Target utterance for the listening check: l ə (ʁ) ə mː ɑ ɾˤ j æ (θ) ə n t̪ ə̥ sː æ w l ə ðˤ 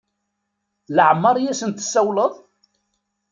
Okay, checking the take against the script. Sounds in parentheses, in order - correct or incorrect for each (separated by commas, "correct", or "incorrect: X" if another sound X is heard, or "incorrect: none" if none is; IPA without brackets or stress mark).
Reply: incorrect: ʕ, incorrect: s